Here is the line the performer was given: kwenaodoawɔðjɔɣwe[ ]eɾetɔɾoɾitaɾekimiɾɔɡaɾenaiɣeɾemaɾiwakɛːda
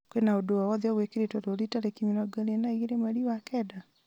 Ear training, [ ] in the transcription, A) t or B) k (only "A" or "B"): B